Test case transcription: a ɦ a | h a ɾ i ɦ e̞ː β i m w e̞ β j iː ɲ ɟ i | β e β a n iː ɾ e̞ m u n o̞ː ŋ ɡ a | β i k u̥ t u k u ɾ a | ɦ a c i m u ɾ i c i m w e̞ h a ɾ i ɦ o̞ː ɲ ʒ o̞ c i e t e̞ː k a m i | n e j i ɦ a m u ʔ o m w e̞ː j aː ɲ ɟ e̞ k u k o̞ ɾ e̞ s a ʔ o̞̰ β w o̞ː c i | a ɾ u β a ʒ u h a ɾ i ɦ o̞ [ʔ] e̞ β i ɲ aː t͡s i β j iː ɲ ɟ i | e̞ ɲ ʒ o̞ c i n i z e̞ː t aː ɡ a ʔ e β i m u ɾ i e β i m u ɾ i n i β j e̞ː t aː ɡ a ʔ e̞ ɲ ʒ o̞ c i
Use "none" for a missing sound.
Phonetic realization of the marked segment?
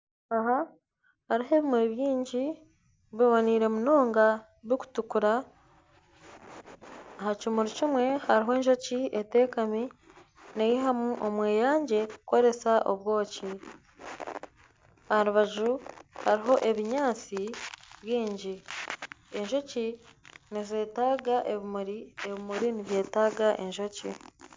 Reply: ʔ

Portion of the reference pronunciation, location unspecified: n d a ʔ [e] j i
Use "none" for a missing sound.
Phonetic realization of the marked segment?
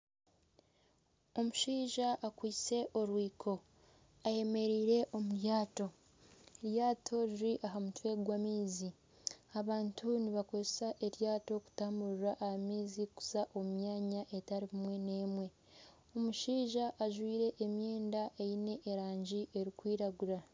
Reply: e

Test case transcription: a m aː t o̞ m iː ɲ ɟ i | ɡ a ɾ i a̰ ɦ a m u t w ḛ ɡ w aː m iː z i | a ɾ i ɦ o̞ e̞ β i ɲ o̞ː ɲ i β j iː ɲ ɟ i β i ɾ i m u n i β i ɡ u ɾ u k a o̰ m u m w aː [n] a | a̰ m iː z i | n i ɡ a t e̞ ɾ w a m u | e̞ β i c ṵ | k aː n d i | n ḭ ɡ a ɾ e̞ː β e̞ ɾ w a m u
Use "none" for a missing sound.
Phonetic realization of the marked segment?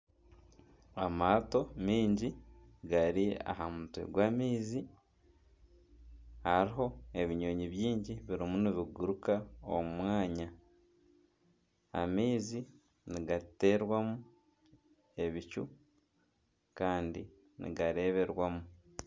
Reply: ɲ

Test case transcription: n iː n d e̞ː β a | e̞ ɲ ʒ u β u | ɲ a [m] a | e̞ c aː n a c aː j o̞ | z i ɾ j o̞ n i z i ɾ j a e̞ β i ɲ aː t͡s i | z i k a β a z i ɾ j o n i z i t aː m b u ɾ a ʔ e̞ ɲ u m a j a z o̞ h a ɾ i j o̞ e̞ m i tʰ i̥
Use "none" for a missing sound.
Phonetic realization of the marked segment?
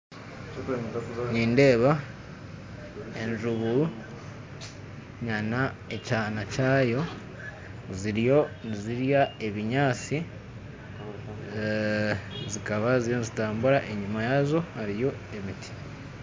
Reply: n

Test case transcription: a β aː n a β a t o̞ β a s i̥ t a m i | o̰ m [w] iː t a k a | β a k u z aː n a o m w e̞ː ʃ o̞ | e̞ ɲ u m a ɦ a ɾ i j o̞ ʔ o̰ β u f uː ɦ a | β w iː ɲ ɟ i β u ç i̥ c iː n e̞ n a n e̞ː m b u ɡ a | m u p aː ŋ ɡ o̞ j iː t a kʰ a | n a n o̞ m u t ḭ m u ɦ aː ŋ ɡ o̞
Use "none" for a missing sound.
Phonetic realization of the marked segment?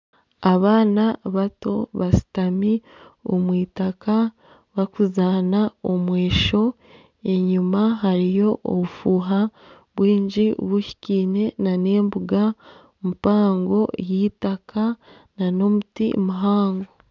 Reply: w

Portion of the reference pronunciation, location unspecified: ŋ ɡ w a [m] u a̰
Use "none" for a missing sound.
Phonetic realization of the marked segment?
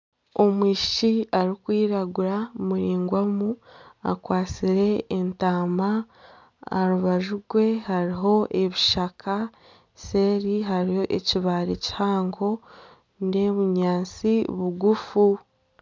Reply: m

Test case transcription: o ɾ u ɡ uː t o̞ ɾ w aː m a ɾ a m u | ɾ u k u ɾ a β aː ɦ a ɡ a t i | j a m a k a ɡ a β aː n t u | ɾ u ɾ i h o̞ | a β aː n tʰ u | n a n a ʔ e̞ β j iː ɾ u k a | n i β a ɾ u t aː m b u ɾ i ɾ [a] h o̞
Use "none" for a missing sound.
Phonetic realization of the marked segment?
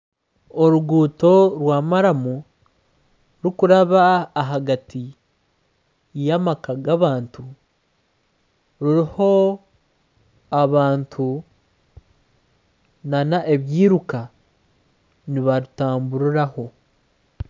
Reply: a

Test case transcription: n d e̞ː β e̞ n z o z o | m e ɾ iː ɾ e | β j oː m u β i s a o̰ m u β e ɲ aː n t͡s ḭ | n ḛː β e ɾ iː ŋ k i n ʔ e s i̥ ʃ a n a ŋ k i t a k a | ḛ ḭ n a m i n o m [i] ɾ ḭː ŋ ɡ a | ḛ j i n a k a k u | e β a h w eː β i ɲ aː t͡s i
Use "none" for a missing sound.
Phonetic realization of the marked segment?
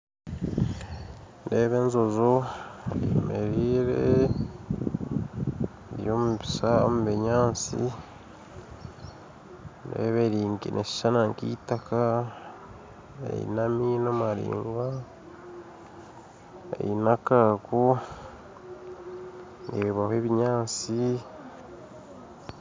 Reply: a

